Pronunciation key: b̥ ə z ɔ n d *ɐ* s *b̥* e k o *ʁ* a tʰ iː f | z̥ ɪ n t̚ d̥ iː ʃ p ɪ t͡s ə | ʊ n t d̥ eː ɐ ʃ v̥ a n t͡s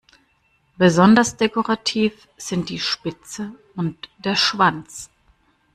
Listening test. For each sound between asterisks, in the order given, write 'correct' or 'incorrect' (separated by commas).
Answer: correct, incorrect, correct